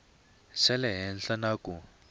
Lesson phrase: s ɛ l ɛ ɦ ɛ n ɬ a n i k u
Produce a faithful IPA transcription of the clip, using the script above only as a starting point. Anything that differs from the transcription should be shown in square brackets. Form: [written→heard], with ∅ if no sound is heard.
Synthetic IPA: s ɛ l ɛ ɦ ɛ n ɬ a n [i→a] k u